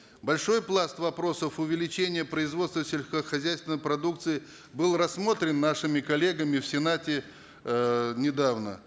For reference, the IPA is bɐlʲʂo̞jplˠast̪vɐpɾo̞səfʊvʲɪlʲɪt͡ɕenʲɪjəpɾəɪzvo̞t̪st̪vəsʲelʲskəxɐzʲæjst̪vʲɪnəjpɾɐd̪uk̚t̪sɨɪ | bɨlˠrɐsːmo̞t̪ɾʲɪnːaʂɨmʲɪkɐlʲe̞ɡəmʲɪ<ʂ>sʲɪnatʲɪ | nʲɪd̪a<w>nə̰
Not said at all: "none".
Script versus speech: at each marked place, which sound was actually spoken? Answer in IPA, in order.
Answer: f, v

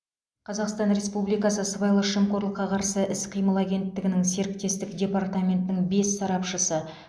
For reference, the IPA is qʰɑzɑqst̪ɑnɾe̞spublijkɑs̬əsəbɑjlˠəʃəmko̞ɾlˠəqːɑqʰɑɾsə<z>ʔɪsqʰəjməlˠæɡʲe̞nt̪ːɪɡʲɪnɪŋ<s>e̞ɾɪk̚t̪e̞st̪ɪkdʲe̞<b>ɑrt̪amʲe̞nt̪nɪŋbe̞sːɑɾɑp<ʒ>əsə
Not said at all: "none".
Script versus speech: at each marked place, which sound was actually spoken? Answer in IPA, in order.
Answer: none, s, p, ʃ

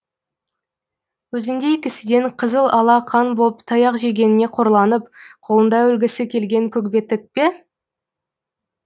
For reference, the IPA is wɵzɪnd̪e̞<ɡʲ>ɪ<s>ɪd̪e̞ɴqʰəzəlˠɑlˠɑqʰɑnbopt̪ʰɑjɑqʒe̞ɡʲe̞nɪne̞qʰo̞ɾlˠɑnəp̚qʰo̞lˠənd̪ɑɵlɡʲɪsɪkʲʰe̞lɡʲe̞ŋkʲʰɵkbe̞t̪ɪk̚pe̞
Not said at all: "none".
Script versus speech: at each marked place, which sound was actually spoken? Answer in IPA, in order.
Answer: kʲ, s

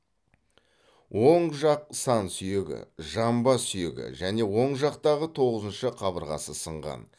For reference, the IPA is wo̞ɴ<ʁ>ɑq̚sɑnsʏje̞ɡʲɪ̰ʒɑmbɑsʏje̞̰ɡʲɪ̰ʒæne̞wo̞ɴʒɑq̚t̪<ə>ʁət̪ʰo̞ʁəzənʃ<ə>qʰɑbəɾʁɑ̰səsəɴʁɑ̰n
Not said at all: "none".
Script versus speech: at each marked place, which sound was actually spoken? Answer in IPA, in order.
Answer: ʒ, ɑ, ə

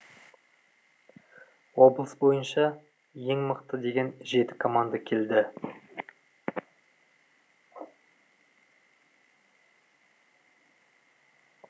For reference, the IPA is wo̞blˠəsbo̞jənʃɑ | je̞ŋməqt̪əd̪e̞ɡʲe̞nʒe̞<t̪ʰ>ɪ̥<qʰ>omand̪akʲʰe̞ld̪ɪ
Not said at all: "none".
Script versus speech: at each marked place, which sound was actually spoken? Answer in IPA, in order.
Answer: t̪, kʰ

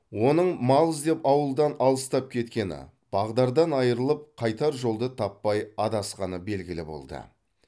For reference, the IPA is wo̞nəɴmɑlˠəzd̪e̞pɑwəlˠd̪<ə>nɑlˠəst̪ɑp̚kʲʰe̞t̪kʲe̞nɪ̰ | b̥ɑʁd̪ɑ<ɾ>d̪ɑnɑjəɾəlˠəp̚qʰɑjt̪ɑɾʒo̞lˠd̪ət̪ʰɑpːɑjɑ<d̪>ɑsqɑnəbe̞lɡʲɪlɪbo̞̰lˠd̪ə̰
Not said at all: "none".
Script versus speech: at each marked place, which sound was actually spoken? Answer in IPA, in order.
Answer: ɑ, ɾ, d̪

